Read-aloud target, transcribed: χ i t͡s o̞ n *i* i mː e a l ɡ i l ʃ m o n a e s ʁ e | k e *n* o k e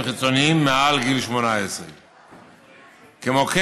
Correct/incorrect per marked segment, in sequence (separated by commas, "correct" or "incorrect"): correct, incorrect